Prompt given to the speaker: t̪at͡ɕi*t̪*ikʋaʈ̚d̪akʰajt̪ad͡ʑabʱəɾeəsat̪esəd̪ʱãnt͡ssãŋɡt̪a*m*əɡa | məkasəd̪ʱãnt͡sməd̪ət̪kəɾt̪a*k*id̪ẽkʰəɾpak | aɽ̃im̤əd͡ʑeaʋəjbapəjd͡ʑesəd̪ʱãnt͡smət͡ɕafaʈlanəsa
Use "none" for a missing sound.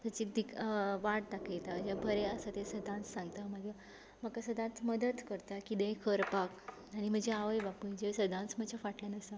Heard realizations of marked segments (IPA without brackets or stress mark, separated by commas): d̪, m, k